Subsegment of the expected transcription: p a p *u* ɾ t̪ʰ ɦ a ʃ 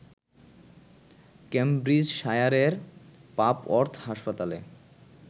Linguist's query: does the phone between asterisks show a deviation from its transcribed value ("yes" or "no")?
yes